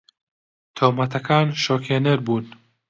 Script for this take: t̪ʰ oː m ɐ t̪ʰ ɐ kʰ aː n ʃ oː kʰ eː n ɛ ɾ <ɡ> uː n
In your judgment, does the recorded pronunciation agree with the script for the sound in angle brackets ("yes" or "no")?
no